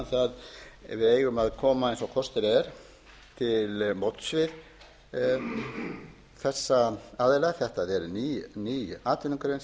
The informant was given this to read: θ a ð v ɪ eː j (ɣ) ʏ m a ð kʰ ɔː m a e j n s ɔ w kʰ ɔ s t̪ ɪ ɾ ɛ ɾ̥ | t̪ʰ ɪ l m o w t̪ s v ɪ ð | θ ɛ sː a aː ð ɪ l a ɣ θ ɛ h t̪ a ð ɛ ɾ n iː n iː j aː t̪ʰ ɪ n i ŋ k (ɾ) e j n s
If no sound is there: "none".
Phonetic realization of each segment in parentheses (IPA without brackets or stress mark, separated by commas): ɣ, ɾ